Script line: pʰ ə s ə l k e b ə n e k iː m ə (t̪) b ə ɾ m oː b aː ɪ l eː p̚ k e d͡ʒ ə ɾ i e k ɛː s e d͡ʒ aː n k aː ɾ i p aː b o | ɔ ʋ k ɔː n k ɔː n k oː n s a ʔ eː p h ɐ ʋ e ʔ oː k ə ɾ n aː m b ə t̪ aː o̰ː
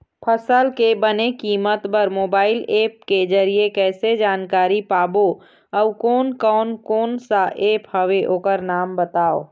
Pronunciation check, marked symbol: correct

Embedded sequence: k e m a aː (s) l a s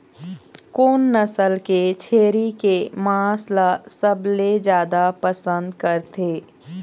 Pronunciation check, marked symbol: correct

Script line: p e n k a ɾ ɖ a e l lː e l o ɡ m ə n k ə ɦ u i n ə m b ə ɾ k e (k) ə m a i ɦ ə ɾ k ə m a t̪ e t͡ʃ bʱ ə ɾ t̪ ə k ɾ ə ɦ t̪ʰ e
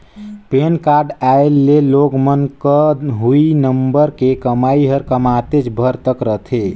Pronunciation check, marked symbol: correct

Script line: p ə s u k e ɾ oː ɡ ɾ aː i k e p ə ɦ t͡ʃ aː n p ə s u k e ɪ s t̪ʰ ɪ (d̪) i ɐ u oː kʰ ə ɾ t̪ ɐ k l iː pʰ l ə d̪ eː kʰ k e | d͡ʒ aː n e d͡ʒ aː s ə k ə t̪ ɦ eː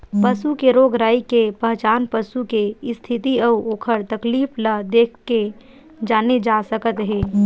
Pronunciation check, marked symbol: incorrect: t̪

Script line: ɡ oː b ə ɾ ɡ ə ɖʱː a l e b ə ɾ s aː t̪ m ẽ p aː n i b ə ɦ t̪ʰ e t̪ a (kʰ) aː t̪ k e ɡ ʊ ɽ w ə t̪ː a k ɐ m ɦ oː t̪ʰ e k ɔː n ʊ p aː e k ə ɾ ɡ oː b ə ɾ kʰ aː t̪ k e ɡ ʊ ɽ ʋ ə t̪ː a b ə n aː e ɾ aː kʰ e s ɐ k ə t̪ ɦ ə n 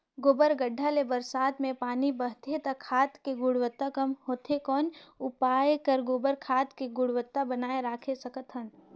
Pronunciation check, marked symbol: correct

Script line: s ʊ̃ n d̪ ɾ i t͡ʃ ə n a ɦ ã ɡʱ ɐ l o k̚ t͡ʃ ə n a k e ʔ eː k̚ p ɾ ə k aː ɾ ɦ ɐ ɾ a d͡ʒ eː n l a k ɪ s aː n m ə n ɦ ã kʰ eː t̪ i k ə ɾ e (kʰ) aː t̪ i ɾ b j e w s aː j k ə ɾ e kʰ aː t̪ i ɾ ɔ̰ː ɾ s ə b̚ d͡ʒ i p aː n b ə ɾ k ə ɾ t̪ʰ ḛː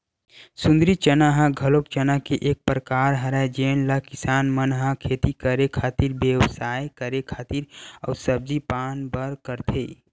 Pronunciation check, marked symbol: correct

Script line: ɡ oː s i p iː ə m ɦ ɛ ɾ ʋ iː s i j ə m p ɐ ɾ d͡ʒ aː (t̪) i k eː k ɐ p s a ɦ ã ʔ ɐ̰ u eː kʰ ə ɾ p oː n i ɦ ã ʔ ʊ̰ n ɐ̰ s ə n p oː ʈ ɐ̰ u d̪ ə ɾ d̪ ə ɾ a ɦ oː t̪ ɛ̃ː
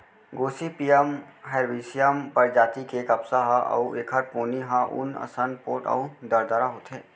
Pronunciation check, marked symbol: correct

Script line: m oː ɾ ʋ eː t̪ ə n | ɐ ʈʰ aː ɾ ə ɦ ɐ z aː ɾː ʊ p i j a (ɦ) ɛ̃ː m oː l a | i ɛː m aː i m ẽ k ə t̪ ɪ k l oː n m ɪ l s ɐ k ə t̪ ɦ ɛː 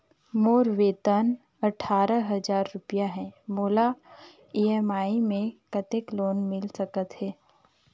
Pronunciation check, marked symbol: correct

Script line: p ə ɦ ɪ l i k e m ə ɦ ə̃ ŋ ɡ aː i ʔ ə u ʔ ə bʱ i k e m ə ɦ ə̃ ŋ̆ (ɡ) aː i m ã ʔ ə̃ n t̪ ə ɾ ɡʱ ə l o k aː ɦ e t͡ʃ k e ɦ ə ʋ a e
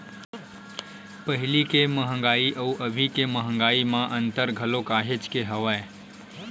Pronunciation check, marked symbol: correct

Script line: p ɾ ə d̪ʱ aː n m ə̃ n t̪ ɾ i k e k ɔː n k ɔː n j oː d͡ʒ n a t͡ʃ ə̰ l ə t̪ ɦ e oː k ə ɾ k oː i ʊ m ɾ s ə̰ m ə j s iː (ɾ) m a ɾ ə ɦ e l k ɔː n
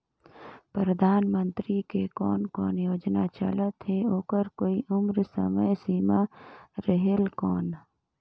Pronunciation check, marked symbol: incorrect: none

